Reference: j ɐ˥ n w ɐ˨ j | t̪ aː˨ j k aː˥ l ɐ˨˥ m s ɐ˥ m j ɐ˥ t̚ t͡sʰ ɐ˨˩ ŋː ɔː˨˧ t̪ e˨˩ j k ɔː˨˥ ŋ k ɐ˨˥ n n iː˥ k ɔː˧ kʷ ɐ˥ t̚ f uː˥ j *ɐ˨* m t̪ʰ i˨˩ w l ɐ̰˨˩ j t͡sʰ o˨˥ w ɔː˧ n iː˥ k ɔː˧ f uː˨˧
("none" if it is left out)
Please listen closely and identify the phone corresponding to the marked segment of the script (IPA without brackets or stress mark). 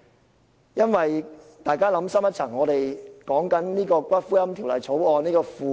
ɐ˥